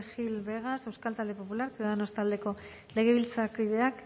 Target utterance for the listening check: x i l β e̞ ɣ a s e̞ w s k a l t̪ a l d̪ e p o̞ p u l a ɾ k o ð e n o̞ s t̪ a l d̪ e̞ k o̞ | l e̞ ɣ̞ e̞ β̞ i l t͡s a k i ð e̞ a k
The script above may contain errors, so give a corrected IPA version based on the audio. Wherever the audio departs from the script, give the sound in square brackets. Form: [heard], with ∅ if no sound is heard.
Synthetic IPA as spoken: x i l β e̞ ɣ a s e̞ w s k a l t̪ a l d̪ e p o̞ p u l a ɾ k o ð [a] n o̞ s t̪ a l d̪ e̞ k o̞ | l e̞ ɣ̞ e̞ β̞ i l t͡s a k i ð e̞ a k